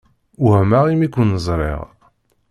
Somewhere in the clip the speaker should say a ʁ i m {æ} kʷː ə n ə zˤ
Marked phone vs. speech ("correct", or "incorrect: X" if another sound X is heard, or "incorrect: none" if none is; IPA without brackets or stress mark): incorrect: i